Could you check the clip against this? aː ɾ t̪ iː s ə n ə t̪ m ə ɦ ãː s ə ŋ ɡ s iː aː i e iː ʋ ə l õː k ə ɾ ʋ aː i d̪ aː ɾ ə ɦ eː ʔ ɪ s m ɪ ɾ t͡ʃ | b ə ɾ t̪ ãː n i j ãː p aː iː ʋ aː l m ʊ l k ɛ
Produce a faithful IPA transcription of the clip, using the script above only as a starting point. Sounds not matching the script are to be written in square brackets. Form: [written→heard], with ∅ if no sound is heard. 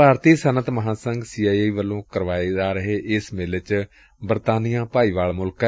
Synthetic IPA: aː ɾ t̪ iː s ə n ə t̪ m ə ɦ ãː s ə ŋ ɡ s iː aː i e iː ʋ ə l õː k ə ɾ ʋ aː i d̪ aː ɾ ə ɦ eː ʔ ɪ s m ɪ [ɾ→l] t͡ʃ | b ə ɾ t̪ [ãː→aː] n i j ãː p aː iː ʋ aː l m ʊ l k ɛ